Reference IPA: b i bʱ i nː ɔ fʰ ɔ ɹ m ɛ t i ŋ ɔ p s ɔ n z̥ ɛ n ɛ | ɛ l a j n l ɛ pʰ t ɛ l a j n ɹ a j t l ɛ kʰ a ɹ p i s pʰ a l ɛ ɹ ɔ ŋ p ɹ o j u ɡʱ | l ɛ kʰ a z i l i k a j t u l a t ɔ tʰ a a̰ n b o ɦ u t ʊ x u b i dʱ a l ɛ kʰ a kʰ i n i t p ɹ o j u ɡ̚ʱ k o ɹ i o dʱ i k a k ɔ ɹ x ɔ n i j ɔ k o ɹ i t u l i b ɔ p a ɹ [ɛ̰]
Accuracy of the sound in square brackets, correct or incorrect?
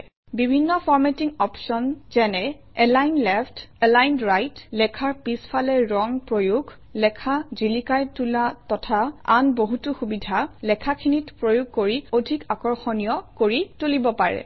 correct